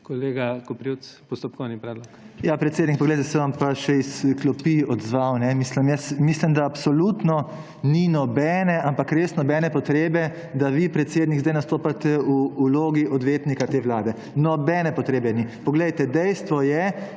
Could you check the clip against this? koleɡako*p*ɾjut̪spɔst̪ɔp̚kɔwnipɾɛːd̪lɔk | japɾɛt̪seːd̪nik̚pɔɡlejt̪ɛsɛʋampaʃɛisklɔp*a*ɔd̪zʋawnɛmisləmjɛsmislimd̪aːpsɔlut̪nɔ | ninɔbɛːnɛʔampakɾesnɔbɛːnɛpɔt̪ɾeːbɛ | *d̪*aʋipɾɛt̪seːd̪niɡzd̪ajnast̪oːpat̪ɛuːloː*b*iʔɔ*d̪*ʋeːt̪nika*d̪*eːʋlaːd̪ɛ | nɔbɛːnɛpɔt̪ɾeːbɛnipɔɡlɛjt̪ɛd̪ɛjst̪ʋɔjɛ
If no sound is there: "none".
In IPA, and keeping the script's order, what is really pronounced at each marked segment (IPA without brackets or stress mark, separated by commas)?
p, i, d̪, ɡ, d̪, t̪